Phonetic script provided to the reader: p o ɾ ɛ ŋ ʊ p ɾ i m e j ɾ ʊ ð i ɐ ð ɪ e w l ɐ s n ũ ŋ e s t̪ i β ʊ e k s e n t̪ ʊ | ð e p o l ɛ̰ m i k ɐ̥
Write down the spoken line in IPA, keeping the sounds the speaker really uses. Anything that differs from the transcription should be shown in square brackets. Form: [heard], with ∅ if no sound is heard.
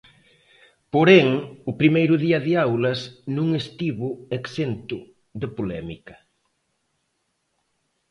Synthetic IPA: p o ɾ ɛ ŋ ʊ p ɾ i m e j ɾ ʊ ð i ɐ ð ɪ [a] w l ɐ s n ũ ŋ e s t̪ i β ʊ e k s e n t̪ ʊ | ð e p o l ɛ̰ m i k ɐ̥

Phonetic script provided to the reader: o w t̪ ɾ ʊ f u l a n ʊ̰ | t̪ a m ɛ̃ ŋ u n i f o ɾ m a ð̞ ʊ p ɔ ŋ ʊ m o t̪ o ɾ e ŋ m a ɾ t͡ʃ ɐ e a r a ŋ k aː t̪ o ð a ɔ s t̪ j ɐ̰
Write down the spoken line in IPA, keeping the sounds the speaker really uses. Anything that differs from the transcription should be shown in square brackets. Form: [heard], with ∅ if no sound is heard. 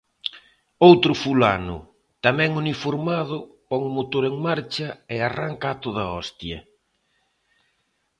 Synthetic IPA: o w t̪ ɾ ʊ f u l a n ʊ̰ | t̪ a m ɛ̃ ŋ u n i f o ɾ m a ð̞ ʊ p ɔ ŋ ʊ m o t̪ o ɾ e ŋ m a ɾ t͡ʃ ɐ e a r a ŋ k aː t̪ o ð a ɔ s t̪ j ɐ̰

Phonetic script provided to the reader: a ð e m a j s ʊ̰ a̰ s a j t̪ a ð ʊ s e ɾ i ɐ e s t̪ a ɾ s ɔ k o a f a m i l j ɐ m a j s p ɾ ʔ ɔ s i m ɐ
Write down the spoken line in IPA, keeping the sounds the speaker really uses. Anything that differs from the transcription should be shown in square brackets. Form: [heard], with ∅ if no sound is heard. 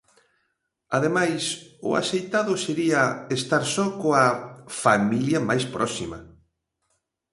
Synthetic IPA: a ð e m a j s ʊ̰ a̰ s [e] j t̪ a ð ʊ s e ɾ i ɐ e s t̪ a ɾ s ɔ k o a f a m i l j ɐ m a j s p ɾ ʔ ɔ s i m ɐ

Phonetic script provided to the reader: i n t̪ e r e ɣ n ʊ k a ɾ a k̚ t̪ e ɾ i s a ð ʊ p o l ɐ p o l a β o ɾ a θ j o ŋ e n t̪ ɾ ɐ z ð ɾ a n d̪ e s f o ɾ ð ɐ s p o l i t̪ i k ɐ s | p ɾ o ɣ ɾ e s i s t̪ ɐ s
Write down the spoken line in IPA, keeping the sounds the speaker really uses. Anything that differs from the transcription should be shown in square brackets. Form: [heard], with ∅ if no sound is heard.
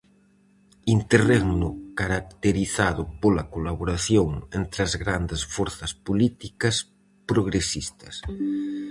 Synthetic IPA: i n t̪ e r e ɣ n ʊ k a ɾ a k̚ t̪ e ɾ i [θ] a ð ʊ p o l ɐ [k] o l a β o ɾ a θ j o ŋ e n t̪ ɾ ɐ z [ɣ] ɾ a n d̪ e s f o ɾ [θ] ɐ s p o l i t̪ i k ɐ s | p ɾ o ɣ ɾ e s i s t̪ ɐ s

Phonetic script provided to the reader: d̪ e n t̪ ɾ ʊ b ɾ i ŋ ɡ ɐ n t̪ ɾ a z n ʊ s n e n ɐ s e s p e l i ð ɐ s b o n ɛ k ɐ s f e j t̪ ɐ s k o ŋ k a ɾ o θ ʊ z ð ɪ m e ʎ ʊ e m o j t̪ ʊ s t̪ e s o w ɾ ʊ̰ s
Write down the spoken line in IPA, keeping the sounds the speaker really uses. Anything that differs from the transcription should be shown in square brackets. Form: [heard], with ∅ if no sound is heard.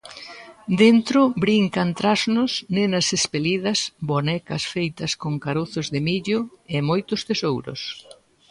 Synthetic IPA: d̪ e n t̪ ɾ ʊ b ɾ i ŋ [k] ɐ n t̪ ɾ a z n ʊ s n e n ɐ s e s p e l i ð ɐ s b o n ɛ k ɐ s f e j t̪ ɐ s k o ŋ k a ɾ o θ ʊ z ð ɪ m [i] ʎ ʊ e m o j t̪ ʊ s t̪ e s o w ɾ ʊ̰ s

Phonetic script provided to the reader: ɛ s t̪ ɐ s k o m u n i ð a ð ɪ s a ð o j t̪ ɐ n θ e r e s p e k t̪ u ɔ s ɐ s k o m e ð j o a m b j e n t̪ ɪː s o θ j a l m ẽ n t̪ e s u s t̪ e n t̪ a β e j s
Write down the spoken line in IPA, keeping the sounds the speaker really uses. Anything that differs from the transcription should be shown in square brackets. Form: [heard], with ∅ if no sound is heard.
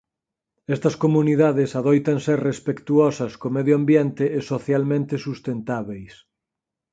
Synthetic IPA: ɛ s t̪ ɐ s k o m u n i ð a ð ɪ s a ð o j t̪ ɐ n [s] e r e s p e k t̪ u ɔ s ɐ s k o m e ð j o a m b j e n t̪ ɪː s o θ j a l m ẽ n t̪ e s u s t̪ e n t̪ a β e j s

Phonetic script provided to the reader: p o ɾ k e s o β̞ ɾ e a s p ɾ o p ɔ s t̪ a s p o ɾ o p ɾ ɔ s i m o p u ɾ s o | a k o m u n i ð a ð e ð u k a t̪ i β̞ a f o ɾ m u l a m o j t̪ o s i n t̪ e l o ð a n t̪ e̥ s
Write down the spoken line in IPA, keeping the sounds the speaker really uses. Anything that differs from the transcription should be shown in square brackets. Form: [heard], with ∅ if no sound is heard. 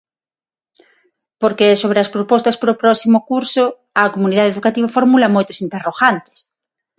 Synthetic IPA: p o ɾ k e s o β̞ ɾ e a s p ɾ o p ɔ s t̪ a s p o ɾ o p ɾ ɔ s i m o [k] u ɾ s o | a k o m u n i ð a ð e ð u k a t̪ i β̞ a f o ɾ m u l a m o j t̪ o s i n t̪ e [r] o [ɣ] a n t̪ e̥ s

